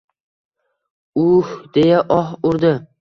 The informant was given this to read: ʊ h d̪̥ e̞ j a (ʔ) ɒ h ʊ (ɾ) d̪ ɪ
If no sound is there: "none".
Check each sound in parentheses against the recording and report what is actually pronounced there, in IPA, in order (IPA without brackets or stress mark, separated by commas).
ʔ, ɾ